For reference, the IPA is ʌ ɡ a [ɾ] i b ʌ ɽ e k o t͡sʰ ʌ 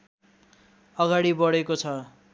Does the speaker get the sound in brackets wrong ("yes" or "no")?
yes